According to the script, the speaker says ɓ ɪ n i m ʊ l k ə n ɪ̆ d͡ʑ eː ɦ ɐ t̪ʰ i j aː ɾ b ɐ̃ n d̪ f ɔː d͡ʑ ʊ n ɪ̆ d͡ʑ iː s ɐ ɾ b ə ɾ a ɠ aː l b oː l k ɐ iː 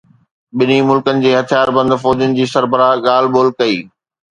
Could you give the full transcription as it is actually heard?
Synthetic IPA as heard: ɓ ɪ n i m ʊ l k ə n ɪ̆ d͡ʑ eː ɦ ɐ t̪ʰ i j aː ɾ b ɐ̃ n d̪ f ɔː d͡ʑ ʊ n ɪ̆ d͡ʑ iː s ɐ ɾ b ə ɾ a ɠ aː l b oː l k ɐ iː